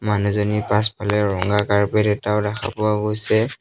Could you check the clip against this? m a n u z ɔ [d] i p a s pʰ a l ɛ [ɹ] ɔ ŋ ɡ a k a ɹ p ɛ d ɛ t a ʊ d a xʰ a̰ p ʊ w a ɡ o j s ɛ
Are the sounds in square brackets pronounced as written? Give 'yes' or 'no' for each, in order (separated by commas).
no, yes